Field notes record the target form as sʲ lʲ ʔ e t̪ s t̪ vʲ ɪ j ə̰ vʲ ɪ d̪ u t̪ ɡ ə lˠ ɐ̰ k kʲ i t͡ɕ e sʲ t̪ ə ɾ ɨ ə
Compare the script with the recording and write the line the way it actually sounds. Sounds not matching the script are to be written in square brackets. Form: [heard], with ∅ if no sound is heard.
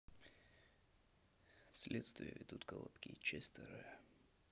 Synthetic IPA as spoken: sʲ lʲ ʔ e t̪ s t̪ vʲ ɪ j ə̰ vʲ ɪ d̪ u t̪ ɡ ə lˠ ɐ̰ [p] kʲ i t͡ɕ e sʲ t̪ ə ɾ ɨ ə